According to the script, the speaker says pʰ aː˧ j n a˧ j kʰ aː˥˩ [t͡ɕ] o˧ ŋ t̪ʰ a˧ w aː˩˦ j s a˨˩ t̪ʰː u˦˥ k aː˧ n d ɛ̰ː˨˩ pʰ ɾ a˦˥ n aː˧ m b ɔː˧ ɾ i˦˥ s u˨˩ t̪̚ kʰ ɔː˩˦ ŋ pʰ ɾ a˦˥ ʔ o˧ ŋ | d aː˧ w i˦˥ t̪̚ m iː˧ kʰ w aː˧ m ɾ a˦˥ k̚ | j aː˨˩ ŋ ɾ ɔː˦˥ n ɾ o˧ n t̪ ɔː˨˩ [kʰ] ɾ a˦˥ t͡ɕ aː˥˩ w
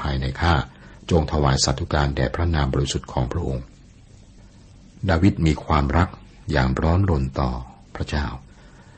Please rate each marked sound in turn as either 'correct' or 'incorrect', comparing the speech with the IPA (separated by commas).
correct, incorrect